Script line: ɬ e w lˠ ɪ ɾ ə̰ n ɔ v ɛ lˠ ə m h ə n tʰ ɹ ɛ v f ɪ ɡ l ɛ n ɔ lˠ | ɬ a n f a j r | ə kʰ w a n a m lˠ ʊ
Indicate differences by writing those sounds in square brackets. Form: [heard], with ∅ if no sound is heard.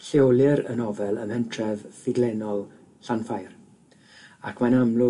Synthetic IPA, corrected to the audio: ɬ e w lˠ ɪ ɾ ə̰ n ɔ v ɛ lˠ ə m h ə n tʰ [r] ɛ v f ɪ ɡ l ɛ n ɔ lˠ | ɬ a n f a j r | [a] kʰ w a n a m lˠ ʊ